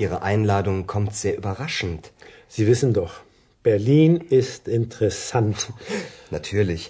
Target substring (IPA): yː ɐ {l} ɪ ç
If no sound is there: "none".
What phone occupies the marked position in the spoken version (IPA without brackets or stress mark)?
l